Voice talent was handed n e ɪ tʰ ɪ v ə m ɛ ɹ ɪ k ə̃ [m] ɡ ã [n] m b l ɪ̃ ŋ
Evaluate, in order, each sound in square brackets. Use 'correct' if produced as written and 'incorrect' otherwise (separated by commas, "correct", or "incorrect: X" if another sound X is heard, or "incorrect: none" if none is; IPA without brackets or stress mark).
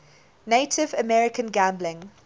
incorrect: n, incorrect: none